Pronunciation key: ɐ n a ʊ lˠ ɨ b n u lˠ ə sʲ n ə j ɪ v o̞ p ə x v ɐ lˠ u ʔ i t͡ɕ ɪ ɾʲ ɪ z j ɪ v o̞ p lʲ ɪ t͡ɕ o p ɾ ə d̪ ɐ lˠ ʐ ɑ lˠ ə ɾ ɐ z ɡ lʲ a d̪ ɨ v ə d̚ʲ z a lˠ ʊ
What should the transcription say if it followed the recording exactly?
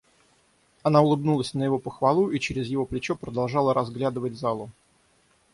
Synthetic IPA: ɐ n a ʊ lˠ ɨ b n u lˠ ə sʲ n ə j ɪ v o̞ p ə x v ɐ lˠ u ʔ i t͡ɕ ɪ ɾʲ ɪ z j ɪ v o̞ p lʲ ɪ t͡ɕ o p ɾ ə d̪ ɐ lˠ ʐ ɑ lˠ ə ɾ ɐ z ɡ lʲ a d̪ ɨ v ə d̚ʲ z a lˠ ʊ

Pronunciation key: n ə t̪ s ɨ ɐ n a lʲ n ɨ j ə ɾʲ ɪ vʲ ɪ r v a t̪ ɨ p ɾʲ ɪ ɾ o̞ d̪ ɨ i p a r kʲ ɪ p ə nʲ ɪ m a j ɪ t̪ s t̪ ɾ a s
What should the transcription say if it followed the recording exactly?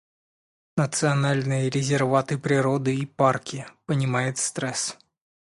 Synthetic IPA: n ə t̪ s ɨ ɐ n a lʲ n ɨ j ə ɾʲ ɪ zʲ ɪ r v a t̪ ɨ p ɾʲ ɪ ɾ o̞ d̪ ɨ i p a r kʲ ɪ p ə nʲ ɪ m a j ɪ t̪ s t̪ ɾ ɛ s

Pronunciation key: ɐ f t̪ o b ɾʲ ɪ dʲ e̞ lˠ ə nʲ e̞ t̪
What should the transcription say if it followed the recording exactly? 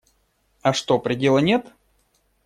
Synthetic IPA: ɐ ʂ t̪ o p ɾʲ ɪ dʲ e̞ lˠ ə nʲ e̞ t̪

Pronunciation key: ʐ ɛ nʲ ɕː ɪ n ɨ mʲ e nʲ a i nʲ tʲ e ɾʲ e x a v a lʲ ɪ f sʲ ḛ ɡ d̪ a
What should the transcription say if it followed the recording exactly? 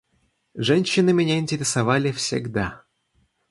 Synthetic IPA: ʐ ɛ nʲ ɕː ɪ n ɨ mʲ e nʲ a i nʲ tʲ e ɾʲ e s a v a lʲ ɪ f sʲ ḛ ɡ d̪ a

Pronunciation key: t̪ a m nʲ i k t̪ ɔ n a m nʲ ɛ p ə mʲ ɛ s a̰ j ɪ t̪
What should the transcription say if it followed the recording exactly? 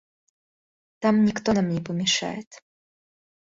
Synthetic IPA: t̪ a m nʲ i k t̪ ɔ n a m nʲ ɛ p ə mʲ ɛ ʂ a̰ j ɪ t̪

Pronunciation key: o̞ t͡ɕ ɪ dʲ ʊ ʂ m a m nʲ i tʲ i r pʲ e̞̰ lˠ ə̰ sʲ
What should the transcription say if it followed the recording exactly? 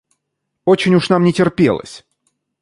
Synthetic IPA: o̞ t͡ɕ ɪ nʲ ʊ ʂ n a m nʲ ɪ tʲ ɪ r pʲ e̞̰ lˠ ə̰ sʲ

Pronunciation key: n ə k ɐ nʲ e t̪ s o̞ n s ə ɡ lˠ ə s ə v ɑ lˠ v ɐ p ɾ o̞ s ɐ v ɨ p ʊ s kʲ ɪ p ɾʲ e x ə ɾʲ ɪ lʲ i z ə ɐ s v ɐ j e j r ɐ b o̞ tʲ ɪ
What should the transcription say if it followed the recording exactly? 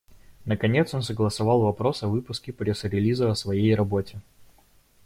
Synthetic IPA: n ə k ɐ nʲ e t̪ s o̞ n s ə ɡ lˠ ə s ɐ v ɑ lˠ v ɐ p ɾ o̞ s ɐ v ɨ p ʊ s kʲ ɪ p ɾʲ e s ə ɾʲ ɪ lʲ i z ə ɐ s v ɐ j e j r ɐ b o̞ tʲ ɪ

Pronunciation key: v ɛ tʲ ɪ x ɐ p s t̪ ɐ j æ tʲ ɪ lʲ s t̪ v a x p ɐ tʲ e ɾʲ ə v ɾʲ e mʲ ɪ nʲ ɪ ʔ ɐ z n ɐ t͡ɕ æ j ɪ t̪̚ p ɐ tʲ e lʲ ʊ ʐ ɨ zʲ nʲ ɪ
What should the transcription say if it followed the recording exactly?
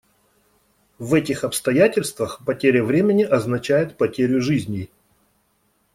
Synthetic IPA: v ɛ tʲ ɪ x ɐ p s t̪ ɐ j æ tʲ ɪ lʲ s t̪ v ə x p ɐ tʲ e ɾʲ ə v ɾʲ e mʲ ɪ nʲ ɪ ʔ ɐ z n ɐ t͡ɕ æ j ɪ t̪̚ p ɐ tʲ e ɾʲ ʊ ʐ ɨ zʲ nʲ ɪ

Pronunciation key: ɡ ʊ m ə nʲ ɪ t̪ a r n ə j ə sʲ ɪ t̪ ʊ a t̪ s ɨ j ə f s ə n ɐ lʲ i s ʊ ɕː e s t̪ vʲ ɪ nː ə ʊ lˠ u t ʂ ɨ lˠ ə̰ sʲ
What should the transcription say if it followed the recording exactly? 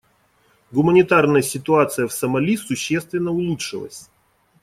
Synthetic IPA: ɡ ʊ m ə nʲ ɪ t̪ a r n ə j ə sʲ ɪ t̪ ʊ a t̪ s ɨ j ə f s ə m ɐ lʲ i s ʊ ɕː e s t̪ vʲ ɪ nː ə ʊ lˠ u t ʂ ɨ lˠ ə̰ sʲ

